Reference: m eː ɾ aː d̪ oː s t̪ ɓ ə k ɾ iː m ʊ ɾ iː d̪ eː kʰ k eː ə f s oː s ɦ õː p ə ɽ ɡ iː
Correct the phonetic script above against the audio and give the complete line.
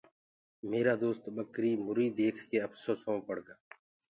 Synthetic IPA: m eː ɾ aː d̪ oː s t̪ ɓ ə k ɾ iː m ʊ ɾ iː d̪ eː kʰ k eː ə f s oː s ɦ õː p ə ɽ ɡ aː